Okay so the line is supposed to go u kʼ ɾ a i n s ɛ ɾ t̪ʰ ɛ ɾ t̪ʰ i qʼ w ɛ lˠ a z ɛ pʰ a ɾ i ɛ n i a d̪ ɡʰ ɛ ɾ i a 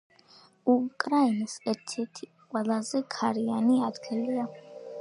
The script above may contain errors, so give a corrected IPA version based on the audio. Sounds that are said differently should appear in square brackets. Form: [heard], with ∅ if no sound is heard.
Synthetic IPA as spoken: u kʼ ɾ a i n s ɛ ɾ t̪ʰ ɛ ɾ t̪ʰ i qʼ w ɛ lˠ a z ɛ [kʰ] a ɾ i [a] n i a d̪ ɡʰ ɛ [l] i a